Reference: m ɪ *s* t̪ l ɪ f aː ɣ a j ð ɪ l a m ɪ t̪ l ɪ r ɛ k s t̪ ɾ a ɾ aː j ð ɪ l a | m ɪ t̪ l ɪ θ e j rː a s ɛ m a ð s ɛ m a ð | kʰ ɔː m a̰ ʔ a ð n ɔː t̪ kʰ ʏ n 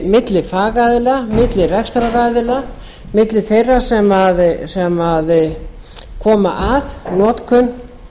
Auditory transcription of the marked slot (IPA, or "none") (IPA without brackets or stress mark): none